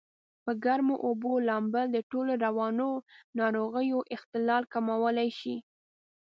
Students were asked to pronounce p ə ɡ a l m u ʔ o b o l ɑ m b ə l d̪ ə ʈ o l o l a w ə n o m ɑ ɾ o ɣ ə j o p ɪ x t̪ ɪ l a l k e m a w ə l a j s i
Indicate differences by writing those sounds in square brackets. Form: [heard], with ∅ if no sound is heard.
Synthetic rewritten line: p ə ɡ a [ɾ] m [o] ʔ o b o l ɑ m b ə l d̪ ə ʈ o l o [ɾ] a w [ɑ] n o [n] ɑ ɾ o ɣ ə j o [ʔ] ɪ x t̪ ɪ l [ɑ] l k [a] m a w ə l a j [ʃ] i